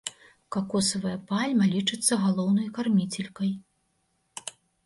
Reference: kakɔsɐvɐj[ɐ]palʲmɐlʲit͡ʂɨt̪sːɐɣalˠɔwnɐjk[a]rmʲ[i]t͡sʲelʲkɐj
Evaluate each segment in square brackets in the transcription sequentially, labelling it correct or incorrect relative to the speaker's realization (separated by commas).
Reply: correct, correct, correct